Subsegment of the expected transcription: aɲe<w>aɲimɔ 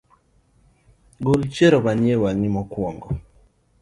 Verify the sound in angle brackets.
correct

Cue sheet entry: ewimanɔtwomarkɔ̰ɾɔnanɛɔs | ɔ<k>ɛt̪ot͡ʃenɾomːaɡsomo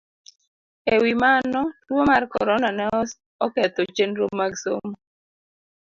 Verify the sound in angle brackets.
correct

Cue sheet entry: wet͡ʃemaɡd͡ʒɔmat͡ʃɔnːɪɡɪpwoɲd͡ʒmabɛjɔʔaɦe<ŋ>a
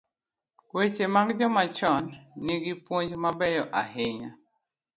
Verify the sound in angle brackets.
incorrect: ɲ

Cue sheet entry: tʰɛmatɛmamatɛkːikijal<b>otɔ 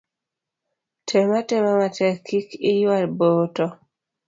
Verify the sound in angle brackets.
correct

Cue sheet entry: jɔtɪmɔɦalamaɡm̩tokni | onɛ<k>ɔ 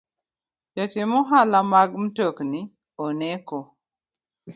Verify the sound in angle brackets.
correct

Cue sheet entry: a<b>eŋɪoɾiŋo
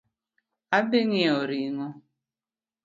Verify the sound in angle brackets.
correct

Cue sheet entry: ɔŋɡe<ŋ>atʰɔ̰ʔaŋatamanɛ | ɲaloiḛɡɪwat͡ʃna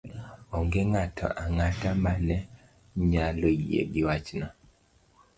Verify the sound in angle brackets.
correct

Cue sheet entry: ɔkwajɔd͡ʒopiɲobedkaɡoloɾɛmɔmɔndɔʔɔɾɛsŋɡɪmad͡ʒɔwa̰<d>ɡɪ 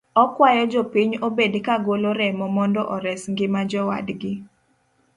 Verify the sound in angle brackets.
correct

